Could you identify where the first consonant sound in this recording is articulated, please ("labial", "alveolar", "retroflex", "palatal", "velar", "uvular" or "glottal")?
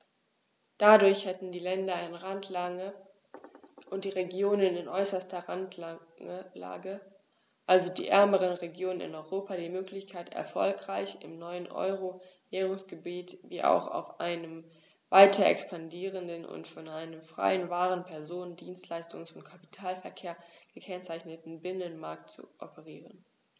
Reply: alveolar